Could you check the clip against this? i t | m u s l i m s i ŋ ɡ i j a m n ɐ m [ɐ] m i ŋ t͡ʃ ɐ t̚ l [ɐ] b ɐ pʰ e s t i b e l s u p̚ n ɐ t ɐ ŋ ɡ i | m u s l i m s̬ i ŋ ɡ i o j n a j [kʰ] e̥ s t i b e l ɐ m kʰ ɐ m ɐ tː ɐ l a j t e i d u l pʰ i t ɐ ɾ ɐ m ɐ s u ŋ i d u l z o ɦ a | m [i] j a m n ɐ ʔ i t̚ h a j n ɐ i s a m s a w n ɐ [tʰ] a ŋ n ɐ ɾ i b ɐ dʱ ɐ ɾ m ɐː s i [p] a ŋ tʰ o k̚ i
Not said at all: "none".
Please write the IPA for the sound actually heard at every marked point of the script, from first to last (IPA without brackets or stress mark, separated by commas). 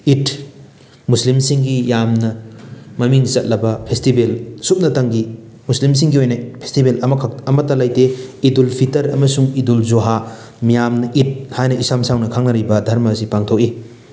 ɐ, ɐ, pʰ, i, kʰ, p